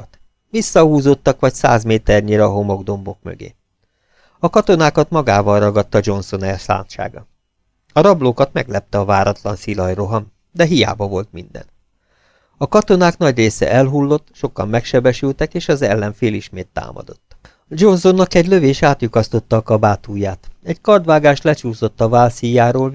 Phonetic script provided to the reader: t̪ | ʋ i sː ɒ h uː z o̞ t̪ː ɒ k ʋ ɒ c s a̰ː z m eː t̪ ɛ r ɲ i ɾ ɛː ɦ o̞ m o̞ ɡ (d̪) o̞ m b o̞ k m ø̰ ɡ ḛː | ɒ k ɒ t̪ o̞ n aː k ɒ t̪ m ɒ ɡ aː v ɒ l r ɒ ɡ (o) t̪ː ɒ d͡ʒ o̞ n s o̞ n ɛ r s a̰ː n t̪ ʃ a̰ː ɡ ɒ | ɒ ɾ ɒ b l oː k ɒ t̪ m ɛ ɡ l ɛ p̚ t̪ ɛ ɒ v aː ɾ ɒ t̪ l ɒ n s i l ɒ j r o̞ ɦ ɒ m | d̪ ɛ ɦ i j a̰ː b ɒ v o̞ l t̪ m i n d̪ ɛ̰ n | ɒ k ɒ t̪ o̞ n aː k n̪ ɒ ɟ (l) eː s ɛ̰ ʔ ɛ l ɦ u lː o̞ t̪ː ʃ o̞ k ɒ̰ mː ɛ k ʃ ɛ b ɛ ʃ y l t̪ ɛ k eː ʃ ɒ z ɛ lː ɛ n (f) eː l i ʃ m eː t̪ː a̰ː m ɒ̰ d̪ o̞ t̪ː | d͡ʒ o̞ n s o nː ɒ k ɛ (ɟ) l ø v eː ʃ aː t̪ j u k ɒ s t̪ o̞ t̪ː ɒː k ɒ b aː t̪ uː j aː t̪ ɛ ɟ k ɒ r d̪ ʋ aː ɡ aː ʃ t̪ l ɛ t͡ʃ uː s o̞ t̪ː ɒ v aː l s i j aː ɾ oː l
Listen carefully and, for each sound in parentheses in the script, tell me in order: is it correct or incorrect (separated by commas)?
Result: correct, incorrect, incorrect, correct, correct